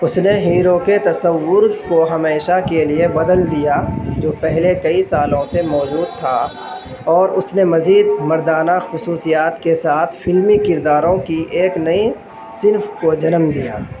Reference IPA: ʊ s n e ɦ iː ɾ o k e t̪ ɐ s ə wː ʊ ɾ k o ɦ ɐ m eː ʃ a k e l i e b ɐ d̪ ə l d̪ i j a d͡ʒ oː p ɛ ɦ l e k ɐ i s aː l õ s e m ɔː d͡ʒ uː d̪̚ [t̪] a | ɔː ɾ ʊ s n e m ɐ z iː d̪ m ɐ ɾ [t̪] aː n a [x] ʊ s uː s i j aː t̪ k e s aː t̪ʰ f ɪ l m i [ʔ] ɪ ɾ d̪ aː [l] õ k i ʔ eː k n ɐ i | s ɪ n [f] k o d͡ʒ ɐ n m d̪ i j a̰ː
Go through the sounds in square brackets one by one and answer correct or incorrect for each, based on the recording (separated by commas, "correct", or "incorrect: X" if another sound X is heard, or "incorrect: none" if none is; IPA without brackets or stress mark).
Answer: incorrect: t̪ʰ, incorrect: d̪, correct, incorrect: k, incorrect: ɾ, correct